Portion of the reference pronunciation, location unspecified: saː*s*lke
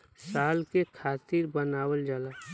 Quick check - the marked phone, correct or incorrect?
incorrect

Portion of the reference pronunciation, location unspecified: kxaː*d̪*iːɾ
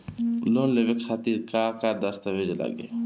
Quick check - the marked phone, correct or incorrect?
incorrect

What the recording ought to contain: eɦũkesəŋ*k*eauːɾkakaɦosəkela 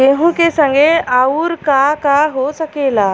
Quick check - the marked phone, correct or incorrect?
incorrect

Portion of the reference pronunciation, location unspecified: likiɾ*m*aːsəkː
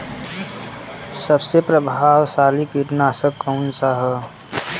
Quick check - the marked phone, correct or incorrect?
incorrect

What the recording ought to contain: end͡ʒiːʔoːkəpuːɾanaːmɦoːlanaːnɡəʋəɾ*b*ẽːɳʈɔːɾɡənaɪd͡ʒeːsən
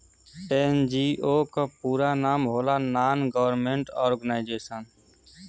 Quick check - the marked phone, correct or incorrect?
incorrect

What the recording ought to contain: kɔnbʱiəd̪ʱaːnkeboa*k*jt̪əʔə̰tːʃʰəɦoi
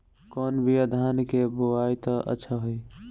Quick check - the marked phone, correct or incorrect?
incorrect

